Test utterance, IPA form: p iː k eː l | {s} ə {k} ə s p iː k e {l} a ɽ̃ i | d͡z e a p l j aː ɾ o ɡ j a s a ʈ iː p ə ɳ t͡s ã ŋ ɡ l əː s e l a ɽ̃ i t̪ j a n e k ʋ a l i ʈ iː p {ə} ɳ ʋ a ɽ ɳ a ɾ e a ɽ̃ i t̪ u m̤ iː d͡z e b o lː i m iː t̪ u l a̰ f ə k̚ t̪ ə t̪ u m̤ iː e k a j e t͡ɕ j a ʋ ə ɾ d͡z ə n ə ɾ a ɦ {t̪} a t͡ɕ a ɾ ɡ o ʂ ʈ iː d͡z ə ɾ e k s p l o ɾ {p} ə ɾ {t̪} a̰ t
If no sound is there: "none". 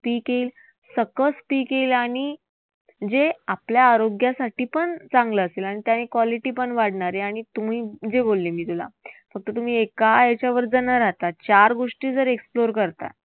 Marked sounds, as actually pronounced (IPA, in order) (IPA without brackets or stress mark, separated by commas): s, k, l, ə, t̪, k, t̪